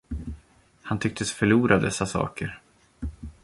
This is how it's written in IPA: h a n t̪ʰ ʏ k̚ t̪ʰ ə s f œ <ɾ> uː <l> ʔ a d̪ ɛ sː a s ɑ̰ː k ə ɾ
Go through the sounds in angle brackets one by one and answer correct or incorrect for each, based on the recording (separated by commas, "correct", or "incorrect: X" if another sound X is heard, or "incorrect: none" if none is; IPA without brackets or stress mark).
incorrect: ɭ, incorrect: ɾ